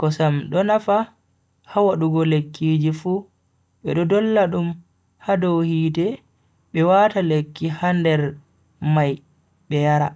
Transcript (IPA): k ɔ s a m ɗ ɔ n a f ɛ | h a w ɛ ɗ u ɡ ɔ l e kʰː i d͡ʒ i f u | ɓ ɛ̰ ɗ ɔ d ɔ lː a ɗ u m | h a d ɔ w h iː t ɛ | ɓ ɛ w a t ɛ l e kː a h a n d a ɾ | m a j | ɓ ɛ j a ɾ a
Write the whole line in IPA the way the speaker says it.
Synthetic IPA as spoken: k ɔ s a m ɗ ɔ n a f a | h a w a ɗ u ɡ ɔ l e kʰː i d͡ʒ i f u | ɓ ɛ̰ ɗ ɔ d ɔ lː a ɗ u m | h a d ɔ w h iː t ɛ | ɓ ɛ w a t a l e kː i h a n d ɛ ɾ | m a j | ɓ ɛ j a ɾ a